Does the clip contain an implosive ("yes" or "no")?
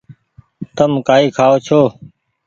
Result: no